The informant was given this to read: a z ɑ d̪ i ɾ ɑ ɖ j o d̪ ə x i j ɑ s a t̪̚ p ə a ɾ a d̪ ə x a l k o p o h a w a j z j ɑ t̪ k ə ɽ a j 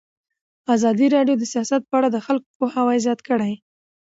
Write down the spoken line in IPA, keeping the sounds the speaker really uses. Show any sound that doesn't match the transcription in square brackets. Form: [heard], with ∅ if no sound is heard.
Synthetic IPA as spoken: a z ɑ d̪ i ɾ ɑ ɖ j o d̪ ə [s] i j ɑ s a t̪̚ p ə a [ɽ] a d̪ ə x a l k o p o h a w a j z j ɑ t̪ k ə ɽ a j

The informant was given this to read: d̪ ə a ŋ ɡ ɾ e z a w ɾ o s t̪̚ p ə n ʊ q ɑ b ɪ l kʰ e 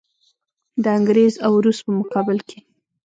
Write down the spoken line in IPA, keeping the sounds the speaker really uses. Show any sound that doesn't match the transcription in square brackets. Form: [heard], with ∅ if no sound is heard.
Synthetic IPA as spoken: d̪ ə a ŋ ɡ ɾ e z a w ɾ [u] s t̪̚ p ə [m] ʊ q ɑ b ɪ l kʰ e

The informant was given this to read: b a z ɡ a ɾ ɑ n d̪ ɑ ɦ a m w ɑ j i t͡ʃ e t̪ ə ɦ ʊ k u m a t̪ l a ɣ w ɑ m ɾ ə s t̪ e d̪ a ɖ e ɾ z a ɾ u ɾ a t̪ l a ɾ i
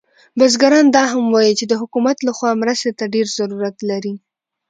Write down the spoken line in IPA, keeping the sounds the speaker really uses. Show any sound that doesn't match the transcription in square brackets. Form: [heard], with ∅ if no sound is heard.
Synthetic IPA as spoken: b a z ɡ a ɾ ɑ n d̪ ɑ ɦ a m w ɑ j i t͡ʃ e [d̪] ə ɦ ʊ k u m a t̪ l a [x] w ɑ m ɾ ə s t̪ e [t̪] a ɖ e ɾ z a ɾ u ɾ a t̪ l a ɾ i

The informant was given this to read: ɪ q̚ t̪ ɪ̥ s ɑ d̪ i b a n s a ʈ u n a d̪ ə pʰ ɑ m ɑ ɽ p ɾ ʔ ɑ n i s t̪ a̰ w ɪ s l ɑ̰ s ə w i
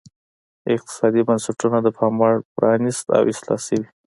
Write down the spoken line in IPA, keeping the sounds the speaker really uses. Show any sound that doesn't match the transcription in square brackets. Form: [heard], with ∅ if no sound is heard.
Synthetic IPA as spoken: ɪ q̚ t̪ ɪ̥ s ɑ d̪ i b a n s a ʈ u n a d̪ ə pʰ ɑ m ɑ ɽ p ɾ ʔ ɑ n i s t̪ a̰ w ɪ s l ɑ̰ s ə w i

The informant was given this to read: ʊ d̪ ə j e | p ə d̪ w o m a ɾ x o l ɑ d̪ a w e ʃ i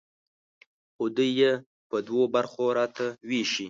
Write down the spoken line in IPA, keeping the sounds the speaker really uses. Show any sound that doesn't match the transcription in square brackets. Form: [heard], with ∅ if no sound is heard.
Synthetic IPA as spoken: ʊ d̪ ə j e | p ə d̪ w o [b] a ɾ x o [ɾ] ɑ [t̪] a w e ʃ i

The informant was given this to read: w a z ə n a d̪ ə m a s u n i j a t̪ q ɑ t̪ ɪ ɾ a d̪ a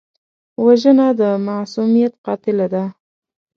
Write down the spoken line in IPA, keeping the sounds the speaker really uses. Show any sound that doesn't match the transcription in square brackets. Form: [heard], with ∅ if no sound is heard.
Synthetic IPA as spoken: w a [ʒ] ə n a d̪ ə m a s u [m] i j a t̪ q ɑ t̪ ɪ [l] a d̪ a

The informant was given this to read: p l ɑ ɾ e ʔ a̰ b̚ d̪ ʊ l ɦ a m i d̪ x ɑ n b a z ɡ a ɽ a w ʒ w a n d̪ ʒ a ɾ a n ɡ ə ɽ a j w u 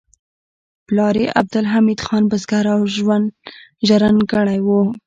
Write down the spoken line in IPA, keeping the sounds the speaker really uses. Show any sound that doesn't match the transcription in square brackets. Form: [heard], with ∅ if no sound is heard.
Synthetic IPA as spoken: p l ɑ ɾ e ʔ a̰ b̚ d̪ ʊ l ɦ a m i d̪ x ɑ n b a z ɡ a [ɾ] a w ʒ w a n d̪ ʒ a ɾ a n ɡ ə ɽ a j w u

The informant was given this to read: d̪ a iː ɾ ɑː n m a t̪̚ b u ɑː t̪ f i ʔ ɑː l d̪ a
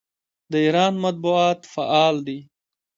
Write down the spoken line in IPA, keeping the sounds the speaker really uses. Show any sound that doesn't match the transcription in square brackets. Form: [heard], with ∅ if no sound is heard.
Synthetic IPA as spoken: d̪ [ə] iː ɾ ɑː n m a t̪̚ b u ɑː t̪ f [a] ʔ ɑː l d̪ [i]

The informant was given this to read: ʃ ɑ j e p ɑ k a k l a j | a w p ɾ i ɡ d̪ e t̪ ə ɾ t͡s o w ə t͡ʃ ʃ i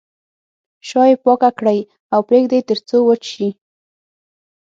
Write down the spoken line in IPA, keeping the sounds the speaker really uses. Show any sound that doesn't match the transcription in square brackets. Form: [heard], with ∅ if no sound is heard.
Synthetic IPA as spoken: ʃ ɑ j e p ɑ k a k [ɽ] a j | a w p ɾ [e] ɡ d̪ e t̪ ə ɾ t͡s o w ə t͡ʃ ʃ i

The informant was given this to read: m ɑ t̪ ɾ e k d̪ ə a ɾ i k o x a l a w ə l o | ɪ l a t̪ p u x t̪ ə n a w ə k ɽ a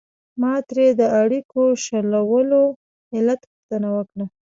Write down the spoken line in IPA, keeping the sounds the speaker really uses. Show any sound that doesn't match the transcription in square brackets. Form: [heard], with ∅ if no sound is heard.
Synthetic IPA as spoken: m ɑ t̪ ɾ e [∅] d̪ ə a [ɽ] i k o [ʃ] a l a w ə l o | ɪ l a t̪ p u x t̪ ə n a w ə k ɽ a

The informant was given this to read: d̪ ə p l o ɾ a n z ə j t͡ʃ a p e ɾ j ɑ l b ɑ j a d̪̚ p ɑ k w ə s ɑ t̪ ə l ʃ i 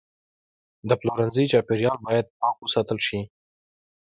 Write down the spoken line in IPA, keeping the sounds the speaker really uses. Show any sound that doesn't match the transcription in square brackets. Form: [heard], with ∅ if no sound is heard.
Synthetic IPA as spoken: d̪ ə p l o ɾ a n z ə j t͡ʃ [ɑ] p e ɾ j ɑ l b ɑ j a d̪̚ p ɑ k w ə s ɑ t̪ ə l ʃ i

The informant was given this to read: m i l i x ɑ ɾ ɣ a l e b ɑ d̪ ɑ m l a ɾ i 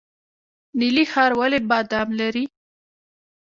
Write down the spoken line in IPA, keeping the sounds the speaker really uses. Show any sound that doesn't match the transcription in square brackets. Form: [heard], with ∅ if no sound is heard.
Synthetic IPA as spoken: [n] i l i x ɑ ɾ [w] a l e b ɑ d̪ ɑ m l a ɾ i

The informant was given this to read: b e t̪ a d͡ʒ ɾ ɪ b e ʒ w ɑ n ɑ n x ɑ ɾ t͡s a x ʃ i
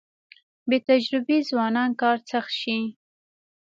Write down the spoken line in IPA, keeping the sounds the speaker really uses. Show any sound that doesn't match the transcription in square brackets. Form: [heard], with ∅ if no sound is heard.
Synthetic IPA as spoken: b e t̪ a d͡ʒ ɾ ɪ b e [z] w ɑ n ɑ n [k] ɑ ɾ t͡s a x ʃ i

